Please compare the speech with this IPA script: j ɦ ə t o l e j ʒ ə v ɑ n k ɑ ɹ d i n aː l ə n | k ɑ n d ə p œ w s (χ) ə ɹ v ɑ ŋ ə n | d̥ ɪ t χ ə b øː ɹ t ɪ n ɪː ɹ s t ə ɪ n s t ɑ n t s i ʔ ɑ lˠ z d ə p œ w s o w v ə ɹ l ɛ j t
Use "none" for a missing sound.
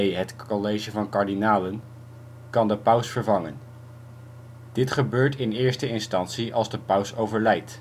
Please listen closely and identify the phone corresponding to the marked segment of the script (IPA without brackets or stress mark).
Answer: f